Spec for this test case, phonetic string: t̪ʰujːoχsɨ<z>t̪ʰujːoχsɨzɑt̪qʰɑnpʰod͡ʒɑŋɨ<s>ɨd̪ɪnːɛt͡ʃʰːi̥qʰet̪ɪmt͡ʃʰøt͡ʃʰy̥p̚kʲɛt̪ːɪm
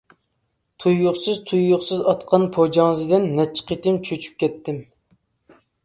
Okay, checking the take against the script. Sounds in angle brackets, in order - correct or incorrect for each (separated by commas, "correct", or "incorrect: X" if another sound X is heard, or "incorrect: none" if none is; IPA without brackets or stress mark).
correct, incorrect: z